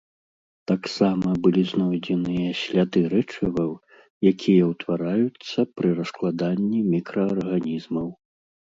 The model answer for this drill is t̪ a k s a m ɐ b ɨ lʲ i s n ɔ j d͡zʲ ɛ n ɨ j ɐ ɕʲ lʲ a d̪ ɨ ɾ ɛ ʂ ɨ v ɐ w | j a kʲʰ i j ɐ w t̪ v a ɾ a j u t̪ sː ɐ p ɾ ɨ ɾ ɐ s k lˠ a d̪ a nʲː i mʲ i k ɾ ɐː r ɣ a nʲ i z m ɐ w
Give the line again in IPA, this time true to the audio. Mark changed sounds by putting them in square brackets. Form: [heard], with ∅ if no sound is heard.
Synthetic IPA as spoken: t̪ a k s a m ɐ b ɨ lʲ i [z] n ɔ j d͡zʲ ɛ n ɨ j ɐ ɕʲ lʲ a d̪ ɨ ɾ ɛ [t͡ʂ] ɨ v ɐ w | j a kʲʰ i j ɐ w t̪ v a ɾ a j u t̪ sː ɐ p ɾ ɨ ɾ ɐ s k lˠ a d̪ a nʲː i mʲ i k ɾ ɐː r ɣ a nʲ i z m ɐ w